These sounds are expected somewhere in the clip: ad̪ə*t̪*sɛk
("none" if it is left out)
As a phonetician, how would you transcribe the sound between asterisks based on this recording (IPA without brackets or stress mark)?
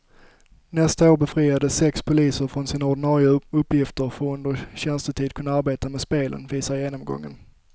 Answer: none